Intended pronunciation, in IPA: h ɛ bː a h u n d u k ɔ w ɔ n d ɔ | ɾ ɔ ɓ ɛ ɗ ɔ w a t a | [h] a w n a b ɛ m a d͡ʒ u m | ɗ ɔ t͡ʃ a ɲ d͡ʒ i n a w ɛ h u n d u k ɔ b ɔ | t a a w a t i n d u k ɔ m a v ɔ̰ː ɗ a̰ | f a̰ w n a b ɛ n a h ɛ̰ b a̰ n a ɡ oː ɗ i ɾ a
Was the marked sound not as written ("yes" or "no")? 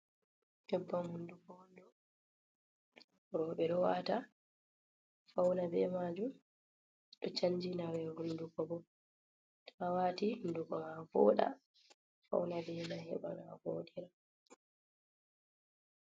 yes